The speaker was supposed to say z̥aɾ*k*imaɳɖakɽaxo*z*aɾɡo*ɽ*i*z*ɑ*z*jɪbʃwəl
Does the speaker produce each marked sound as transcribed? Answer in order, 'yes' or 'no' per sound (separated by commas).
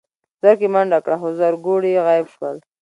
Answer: yes, yes, yes, no, no